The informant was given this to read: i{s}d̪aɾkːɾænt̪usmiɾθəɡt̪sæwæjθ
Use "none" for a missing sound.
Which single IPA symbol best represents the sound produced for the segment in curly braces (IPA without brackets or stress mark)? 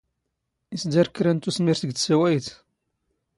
s